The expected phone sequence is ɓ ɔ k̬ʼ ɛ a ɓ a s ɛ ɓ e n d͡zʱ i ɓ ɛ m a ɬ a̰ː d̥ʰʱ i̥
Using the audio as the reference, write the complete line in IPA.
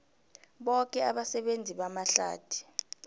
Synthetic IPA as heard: ɓ ɔ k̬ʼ ɛ a ɓ a s ɛ ɓ e n d͡zʱ i ɓ a m a ɬ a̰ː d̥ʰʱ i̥